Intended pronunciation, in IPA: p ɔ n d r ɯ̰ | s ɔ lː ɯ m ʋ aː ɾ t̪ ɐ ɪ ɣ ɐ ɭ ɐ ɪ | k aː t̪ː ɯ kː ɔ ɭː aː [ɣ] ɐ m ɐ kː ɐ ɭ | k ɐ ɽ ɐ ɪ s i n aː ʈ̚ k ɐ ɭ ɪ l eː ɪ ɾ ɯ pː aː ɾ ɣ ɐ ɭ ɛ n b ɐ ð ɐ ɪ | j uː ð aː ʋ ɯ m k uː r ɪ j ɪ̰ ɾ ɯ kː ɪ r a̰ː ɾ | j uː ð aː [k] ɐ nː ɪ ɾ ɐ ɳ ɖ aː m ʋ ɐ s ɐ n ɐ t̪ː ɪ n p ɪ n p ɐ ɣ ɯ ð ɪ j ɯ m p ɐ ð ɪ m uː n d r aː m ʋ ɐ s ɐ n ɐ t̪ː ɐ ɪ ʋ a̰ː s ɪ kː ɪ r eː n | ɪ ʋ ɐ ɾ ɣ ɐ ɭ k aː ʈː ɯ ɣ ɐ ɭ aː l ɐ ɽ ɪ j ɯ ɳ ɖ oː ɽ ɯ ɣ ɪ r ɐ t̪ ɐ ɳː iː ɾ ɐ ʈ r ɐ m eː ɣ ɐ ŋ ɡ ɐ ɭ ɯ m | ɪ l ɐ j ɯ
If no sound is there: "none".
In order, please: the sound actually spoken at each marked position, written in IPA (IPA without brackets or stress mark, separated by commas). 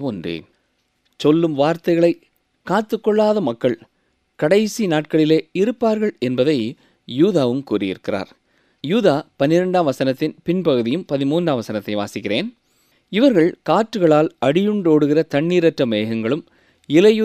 ð, p